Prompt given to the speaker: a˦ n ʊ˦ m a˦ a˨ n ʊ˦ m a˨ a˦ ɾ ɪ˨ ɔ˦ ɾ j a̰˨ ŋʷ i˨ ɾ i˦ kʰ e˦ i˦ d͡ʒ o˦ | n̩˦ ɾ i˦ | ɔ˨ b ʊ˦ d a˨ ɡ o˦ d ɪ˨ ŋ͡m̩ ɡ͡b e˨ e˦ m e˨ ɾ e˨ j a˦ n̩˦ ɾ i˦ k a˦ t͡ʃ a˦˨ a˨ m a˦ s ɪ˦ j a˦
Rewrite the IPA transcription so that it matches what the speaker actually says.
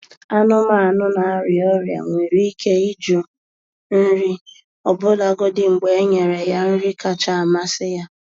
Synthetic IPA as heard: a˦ n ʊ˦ m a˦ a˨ n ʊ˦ n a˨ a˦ ɾ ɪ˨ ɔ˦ ɾ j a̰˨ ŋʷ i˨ ɾ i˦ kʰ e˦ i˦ d͡ʒ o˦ | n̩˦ ɾ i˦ | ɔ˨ b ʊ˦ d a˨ ɡ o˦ d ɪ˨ ŋ͡m̩ ɡ͡b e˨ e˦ ɲ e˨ ɾ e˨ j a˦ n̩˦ ɾ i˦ k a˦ t͡ʃ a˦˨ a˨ m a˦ s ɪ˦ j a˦

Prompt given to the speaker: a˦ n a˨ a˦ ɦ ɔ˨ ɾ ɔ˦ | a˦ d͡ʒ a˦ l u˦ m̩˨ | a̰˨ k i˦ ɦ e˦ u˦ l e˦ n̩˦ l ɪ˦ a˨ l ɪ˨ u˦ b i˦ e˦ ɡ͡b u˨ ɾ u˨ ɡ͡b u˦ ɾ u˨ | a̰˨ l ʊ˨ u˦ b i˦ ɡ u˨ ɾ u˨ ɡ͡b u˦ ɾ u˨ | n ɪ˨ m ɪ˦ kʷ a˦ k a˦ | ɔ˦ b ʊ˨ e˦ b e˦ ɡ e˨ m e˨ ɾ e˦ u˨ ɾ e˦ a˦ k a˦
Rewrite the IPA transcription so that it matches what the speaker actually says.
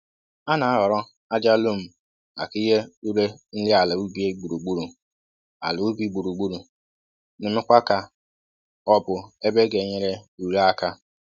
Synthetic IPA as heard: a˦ n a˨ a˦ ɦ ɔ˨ ɾ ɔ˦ | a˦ d͡ʒ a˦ l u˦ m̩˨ | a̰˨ k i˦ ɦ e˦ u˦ ɾ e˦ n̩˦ l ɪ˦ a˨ l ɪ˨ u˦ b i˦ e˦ ɡ͡b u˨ ɾ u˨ ɡ͡b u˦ ɾ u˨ | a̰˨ l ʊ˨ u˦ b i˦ ɡ͡b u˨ ɾ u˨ ɡ͡b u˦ ɾ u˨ | n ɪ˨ m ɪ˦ kʷ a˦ k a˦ | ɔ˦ b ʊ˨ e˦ b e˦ ɡ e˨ ɲ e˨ ɾ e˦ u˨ ɾ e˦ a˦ k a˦

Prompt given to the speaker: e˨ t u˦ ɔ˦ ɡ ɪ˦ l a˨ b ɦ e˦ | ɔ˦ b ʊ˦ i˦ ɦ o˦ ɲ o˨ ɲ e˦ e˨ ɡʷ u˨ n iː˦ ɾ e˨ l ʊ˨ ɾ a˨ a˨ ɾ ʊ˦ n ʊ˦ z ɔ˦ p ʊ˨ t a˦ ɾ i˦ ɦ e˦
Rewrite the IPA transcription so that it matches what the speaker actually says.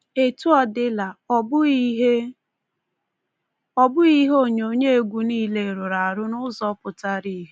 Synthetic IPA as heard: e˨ t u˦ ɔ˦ d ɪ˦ l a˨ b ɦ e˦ | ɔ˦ b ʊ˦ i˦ ɦ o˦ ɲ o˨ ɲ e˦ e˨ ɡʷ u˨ n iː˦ l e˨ ɾ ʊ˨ ɾ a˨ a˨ ɾ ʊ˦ n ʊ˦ z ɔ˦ p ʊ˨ t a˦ ɾ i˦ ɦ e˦

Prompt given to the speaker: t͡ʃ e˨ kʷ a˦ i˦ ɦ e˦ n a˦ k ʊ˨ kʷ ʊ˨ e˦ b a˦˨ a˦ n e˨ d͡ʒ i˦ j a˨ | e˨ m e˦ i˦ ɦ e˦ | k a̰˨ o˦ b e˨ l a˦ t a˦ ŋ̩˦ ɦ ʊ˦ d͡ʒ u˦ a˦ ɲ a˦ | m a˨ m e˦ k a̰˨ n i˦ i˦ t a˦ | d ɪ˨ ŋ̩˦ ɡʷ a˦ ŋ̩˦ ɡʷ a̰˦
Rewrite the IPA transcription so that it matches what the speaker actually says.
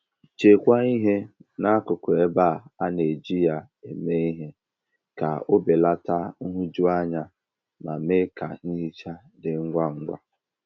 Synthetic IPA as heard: t͡ʃ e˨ kʷ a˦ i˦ ɦ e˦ n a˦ k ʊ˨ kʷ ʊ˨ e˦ b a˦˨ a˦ n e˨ d͡ʒ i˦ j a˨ | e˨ m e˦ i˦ ɦ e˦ | k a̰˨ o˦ b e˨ l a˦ t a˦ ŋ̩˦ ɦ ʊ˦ d͡ʒ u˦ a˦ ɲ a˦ | m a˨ m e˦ k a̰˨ n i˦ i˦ t͡ʃ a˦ | d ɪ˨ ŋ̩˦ ɡʷ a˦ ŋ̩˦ ɡʷ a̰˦

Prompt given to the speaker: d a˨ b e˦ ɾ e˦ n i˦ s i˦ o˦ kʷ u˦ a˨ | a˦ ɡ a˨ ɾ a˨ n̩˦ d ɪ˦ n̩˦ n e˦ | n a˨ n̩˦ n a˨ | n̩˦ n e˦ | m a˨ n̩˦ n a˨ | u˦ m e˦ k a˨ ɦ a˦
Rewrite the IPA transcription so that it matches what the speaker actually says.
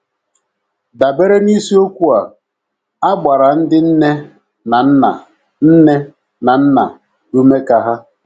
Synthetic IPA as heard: d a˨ b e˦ ɾ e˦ n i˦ s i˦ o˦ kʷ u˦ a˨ | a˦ ɡ͡b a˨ ɾ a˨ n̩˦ d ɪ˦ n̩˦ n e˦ | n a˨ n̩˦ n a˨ | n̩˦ n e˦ | n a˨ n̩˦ n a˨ | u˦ m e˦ k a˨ ɦ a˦

